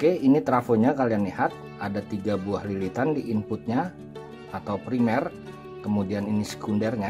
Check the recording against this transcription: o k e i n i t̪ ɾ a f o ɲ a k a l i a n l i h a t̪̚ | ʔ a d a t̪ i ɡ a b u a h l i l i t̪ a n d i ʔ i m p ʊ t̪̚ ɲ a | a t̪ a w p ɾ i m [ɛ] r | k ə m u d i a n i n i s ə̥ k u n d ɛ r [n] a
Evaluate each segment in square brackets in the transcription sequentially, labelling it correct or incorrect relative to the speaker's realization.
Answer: correct, incorrect: ɲ

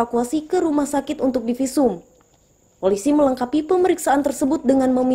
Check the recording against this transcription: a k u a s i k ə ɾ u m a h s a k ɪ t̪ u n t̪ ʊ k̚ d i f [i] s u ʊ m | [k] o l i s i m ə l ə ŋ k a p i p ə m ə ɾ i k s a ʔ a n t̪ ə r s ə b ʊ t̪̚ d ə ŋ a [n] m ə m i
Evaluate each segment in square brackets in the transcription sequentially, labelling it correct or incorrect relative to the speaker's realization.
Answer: correct, incorrect: p, correct

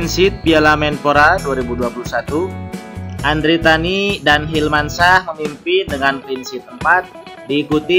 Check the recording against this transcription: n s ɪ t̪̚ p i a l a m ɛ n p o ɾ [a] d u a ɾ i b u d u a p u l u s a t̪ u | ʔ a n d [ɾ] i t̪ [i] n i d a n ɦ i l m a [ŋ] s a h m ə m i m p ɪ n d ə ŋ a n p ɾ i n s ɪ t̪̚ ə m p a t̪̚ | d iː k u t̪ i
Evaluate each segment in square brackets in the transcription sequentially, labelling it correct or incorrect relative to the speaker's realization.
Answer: correct, correct, incorrect: a, incorrect: n

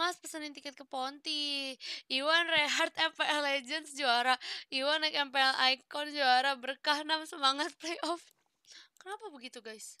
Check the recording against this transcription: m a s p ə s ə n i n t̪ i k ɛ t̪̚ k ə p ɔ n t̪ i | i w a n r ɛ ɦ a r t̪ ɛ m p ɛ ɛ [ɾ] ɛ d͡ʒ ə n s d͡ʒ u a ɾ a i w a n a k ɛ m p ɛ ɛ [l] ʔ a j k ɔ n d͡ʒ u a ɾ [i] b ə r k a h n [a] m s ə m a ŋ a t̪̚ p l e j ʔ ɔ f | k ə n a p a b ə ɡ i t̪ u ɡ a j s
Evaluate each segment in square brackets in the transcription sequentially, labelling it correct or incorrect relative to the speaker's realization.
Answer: incorrect: l, correct, incorrect: a, correct

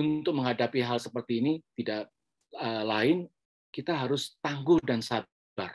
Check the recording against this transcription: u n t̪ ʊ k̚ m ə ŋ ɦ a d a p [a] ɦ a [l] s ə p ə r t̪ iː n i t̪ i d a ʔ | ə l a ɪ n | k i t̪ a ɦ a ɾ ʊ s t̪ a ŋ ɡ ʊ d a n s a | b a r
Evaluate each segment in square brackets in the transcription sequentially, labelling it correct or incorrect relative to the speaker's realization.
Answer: incorrect: i, correct

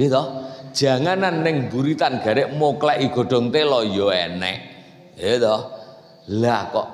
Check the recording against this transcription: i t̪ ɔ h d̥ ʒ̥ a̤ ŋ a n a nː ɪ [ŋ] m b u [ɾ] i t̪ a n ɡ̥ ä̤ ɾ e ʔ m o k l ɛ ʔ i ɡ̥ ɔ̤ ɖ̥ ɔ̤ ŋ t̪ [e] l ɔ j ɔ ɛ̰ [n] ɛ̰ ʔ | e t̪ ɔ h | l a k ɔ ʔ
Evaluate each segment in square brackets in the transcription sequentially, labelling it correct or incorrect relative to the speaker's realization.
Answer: correct, correct, correct, correct

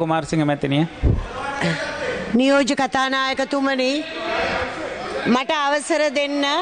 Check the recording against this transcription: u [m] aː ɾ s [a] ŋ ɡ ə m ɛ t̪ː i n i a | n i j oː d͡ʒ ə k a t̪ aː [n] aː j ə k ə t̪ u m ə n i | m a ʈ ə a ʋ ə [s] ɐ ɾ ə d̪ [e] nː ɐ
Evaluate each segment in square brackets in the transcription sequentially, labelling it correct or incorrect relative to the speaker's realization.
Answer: correct, incorrect: i, correct, correct, correct

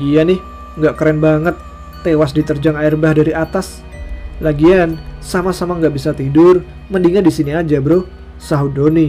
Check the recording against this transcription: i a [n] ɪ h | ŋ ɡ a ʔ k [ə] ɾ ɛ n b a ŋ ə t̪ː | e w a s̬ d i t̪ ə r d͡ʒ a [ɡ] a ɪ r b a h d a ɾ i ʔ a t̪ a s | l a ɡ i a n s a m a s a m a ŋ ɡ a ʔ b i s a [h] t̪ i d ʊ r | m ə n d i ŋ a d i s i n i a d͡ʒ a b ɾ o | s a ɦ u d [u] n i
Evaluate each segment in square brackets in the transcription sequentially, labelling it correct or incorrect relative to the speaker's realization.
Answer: correct, correct, incorrect: ŋ, incorrect: none, incorrect: o

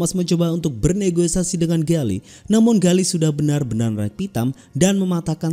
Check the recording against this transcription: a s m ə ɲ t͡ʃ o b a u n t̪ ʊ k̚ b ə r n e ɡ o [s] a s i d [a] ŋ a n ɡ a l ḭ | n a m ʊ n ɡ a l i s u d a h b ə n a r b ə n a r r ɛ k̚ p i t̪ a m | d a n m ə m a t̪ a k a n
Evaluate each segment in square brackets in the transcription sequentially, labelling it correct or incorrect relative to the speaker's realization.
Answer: correct, incorrect: ə

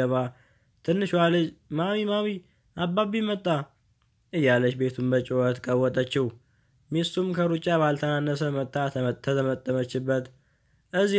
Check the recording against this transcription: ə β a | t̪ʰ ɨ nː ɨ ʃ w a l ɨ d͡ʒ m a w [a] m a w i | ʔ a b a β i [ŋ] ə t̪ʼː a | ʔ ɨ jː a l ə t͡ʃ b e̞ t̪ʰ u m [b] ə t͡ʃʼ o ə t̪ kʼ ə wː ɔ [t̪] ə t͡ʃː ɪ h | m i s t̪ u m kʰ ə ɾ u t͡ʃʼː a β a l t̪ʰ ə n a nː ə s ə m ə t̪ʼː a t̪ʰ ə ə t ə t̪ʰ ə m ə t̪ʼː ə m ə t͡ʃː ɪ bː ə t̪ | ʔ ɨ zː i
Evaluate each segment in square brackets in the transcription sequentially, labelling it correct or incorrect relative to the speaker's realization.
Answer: incorrect: i, incorrect: m, correct, incorrect: t̪ʼ

